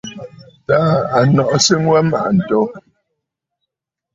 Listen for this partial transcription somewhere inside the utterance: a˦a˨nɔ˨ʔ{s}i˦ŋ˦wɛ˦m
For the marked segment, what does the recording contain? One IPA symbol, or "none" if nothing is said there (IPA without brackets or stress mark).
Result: s